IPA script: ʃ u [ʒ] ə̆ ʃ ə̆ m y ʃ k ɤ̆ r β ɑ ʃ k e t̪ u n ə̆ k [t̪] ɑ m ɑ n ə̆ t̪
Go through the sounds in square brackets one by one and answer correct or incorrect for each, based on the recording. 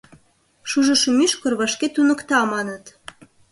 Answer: correct, correct

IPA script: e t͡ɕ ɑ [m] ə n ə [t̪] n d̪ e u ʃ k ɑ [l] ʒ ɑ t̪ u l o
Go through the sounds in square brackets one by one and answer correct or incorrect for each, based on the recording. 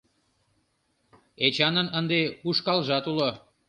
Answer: incorrect: n, incorrect: none, correct

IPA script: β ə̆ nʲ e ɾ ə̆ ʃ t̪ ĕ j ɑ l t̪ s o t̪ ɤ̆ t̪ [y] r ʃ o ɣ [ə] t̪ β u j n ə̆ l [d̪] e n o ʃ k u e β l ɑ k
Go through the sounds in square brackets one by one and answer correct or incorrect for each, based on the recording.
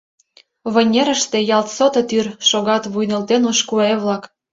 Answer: correct, incorrect: ɑ, incorrect: t̪

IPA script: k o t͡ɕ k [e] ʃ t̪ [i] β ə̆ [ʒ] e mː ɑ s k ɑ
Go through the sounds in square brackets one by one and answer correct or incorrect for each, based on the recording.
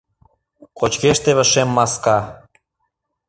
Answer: correct, incorrect: e, incorrect: ʃ

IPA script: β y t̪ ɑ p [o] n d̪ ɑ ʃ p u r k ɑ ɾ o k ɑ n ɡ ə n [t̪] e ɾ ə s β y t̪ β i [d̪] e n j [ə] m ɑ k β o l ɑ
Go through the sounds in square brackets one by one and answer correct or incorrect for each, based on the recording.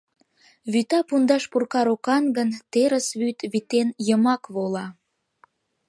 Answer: incorrect: u, correct, incorrect: t̪, correct

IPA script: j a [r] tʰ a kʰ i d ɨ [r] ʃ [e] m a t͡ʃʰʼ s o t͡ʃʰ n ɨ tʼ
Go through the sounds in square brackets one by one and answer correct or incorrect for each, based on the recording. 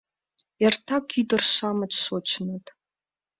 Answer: correct, correct, incorrect: a

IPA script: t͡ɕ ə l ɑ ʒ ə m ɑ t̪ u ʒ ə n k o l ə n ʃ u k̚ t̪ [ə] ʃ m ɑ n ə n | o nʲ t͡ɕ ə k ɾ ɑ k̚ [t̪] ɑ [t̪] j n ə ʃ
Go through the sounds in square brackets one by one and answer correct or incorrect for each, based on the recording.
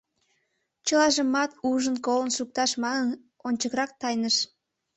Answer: incorrect: ɑ, correct, incorrect: none

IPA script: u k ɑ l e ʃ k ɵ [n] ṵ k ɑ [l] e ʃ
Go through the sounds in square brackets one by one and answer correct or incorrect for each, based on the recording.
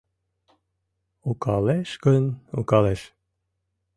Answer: correct, correct

